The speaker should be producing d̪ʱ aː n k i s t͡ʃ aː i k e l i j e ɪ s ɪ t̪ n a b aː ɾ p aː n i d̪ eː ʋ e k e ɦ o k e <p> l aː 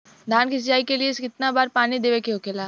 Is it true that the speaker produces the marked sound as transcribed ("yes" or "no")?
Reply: no